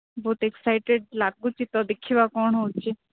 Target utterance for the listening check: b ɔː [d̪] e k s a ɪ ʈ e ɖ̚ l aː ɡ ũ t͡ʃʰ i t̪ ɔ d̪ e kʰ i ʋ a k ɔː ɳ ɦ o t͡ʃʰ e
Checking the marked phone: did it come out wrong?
yes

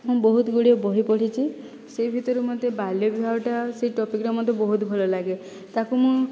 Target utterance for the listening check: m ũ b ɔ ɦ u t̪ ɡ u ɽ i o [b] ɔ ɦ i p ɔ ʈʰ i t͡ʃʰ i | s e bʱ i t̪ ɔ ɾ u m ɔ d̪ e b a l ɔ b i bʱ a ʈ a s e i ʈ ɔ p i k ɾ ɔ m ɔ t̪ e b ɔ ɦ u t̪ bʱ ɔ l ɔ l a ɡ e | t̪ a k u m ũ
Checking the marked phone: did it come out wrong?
no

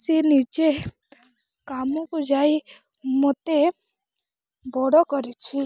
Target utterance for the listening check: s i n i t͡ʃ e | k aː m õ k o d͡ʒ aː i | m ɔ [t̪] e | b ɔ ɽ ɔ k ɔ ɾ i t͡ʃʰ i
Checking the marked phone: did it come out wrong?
no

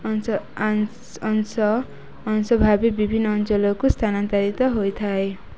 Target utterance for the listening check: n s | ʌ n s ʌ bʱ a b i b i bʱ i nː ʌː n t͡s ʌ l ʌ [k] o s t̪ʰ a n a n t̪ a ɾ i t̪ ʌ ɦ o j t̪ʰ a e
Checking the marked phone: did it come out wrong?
no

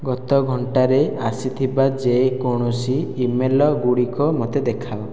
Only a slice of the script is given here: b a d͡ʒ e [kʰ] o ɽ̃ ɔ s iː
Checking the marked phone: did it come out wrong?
yes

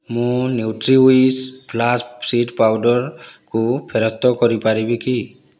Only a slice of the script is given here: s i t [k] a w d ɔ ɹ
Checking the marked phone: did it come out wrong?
yes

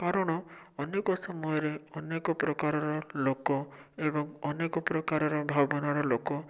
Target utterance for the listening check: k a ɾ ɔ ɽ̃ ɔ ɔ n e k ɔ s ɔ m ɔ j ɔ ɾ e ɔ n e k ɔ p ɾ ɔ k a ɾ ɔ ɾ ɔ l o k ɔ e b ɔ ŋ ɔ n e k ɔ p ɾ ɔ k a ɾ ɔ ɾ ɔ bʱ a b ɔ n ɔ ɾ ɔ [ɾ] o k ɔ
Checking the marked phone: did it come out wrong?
yes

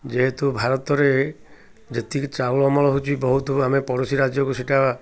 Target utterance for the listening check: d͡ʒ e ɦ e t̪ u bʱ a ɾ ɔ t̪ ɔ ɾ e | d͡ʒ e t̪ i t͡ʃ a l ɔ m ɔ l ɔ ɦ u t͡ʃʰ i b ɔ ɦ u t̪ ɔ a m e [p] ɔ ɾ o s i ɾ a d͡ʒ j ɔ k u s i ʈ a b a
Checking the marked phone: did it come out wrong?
no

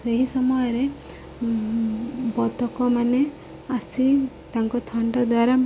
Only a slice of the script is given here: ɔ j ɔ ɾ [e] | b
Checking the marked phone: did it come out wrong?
no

